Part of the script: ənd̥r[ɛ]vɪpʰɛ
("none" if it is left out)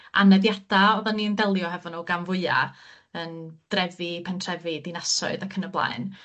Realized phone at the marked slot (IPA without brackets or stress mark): ɛ